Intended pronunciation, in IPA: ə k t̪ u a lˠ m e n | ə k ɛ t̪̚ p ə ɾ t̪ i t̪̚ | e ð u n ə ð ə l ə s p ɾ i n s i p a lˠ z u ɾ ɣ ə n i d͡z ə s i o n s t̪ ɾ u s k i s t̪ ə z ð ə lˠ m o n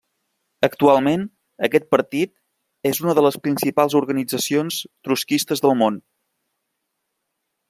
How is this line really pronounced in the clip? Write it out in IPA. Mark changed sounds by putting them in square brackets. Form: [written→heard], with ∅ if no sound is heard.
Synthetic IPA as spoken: ə k t̪ u a lˠ m e n | ə k ɛ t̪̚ p ə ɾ t̪ i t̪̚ | e [ð→z] u n ə ð ə l ə s p ɾ i n s i p a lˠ z u ɾ ɣ ə n i d͡z ə s i o n s t̪ ɾ u s k i s t̪ ə z ð ə lˠ m o n